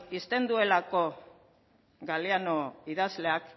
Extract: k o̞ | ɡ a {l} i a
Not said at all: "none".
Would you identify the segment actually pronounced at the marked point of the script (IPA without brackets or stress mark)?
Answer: l